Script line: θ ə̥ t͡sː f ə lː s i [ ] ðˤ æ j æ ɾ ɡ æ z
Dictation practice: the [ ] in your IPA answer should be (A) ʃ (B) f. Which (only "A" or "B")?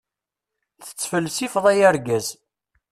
B